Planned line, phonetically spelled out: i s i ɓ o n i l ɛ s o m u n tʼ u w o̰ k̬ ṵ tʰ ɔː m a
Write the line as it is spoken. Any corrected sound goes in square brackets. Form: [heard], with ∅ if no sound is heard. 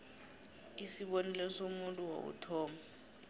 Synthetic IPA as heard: i s i ɓ o n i l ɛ s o m u n tʼ u w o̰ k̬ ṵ tʰ ɔː m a